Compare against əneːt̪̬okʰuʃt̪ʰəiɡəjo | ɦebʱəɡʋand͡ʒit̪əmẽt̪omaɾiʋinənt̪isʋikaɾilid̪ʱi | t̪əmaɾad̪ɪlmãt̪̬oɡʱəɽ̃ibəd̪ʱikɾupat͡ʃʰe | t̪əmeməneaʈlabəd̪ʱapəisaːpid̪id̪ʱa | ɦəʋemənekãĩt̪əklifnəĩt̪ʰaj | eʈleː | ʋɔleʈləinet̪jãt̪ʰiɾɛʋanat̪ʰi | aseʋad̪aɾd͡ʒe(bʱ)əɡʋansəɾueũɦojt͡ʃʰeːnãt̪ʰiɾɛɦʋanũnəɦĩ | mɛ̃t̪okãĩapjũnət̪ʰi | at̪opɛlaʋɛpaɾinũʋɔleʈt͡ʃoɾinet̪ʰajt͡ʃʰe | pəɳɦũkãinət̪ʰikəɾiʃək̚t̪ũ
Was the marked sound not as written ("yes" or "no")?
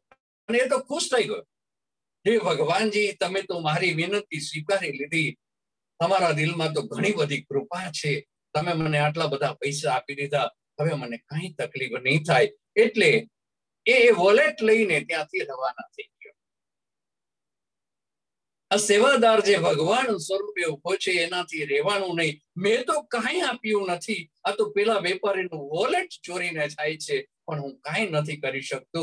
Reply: no